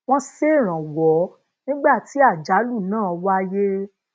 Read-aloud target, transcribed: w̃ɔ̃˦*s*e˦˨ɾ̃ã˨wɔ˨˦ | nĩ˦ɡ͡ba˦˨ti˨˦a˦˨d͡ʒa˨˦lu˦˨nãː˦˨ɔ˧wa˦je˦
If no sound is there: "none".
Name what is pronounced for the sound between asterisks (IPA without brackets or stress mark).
s